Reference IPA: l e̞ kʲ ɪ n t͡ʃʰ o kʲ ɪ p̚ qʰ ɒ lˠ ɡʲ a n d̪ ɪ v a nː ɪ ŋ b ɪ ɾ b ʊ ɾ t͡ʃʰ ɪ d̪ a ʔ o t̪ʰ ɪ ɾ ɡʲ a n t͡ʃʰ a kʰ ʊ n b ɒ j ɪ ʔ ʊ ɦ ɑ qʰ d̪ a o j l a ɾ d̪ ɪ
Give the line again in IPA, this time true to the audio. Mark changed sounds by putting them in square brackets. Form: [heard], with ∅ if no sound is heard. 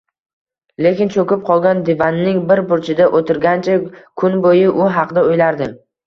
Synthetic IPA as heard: l e̞ kʲ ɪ n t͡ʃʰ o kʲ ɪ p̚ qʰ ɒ lˠ ɡʲ a n d̪ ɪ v a nː ɪ ŋ b ɪ ɾ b ʊ ɾ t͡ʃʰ ɪ d̪ a ʔ o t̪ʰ ɪ ɾ ɡʲ a n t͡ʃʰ a kʰ ʊ n b [o] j ɪ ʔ ʊ ɦ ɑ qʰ d̪ a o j l a ɾ d̪ ɪ